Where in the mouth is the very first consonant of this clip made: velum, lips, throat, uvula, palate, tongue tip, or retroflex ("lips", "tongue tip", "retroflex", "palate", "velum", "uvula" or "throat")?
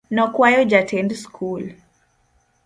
tongue tip